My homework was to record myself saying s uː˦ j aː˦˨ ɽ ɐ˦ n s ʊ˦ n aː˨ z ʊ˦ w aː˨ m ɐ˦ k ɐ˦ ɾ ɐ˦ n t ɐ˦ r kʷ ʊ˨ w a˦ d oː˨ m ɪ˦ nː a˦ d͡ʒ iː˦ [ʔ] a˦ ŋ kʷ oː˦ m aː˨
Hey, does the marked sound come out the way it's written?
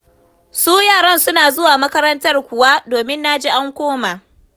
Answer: yes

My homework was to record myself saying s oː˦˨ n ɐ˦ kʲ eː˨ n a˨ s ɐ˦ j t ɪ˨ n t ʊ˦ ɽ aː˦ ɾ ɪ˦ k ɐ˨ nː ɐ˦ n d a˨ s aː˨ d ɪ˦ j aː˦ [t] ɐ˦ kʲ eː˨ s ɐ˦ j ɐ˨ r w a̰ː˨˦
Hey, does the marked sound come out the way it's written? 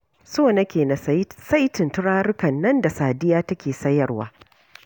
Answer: yes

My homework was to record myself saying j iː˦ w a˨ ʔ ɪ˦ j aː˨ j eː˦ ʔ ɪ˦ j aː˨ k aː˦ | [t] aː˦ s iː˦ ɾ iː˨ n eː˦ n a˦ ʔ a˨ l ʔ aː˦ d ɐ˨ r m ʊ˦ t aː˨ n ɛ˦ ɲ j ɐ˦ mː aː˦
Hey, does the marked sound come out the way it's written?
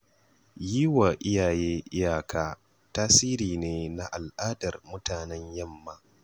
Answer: yes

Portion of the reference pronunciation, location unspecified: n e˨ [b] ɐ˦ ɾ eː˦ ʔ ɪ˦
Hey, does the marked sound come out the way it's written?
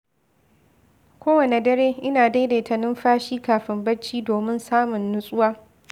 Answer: no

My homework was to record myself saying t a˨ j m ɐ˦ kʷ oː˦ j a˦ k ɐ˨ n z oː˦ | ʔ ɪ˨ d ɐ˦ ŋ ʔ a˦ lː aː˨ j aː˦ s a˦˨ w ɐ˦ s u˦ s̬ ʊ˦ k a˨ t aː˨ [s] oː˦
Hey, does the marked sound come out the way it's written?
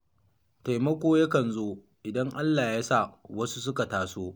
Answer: yes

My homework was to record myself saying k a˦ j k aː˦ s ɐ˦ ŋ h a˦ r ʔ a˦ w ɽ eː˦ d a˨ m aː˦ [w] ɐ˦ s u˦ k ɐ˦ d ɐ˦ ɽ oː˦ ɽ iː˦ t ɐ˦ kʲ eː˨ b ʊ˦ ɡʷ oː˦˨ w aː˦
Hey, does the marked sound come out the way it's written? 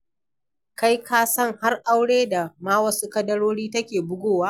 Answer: yes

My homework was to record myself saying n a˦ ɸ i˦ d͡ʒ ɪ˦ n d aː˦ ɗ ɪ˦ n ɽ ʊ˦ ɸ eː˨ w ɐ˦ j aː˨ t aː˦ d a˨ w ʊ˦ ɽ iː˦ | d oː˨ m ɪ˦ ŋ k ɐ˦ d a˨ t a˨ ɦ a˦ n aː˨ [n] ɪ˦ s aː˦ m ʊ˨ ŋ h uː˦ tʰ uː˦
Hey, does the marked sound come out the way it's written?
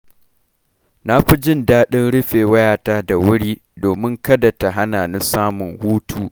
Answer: yes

